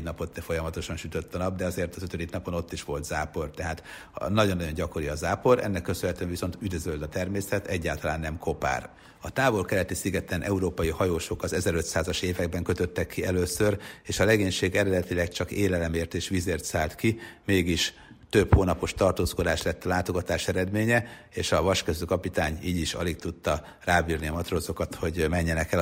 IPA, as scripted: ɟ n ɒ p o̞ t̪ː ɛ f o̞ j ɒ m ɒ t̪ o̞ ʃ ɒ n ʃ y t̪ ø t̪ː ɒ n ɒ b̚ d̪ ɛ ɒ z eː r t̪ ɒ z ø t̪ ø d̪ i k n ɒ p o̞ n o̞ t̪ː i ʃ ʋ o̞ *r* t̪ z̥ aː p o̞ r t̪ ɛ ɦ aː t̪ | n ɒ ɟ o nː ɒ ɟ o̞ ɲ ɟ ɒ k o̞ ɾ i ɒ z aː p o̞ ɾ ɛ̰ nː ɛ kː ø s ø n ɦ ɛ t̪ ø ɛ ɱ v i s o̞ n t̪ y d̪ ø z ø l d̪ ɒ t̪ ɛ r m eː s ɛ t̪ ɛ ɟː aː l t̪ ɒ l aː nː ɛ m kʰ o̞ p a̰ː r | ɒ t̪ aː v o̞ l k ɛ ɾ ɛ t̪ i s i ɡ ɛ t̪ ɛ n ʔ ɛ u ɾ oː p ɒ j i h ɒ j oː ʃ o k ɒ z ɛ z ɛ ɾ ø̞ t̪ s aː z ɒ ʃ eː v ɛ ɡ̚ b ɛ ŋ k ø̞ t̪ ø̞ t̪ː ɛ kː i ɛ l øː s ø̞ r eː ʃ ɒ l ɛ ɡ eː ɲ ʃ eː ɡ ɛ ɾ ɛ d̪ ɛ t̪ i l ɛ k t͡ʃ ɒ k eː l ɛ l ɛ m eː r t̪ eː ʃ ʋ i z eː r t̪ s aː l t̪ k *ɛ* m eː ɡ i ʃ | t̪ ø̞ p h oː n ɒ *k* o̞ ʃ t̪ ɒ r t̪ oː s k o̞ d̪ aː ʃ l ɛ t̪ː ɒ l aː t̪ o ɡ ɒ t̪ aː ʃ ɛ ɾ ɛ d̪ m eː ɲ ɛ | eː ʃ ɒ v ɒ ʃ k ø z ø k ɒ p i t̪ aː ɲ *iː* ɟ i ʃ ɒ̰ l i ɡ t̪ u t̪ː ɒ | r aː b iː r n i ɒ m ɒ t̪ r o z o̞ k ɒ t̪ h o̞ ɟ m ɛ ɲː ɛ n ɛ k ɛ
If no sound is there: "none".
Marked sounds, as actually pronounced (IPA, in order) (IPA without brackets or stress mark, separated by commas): l, i, p, iː